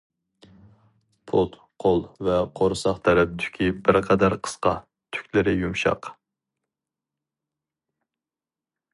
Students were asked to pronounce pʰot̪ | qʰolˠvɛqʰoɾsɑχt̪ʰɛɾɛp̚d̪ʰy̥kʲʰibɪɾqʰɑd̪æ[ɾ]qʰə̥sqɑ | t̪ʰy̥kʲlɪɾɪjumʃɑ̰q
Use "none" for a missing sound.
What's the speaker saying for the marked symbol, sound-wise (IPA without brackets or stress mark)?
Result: ɾ